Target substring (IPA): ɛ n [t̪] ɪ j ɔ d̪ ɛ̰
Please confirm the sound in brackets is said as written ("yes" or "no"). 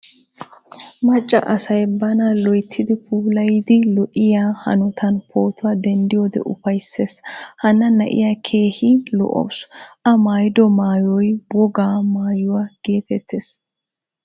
no